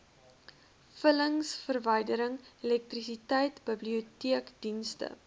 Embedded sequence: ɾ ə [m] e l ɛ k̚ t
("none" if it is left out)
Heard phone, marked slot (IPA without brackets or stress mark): ŋ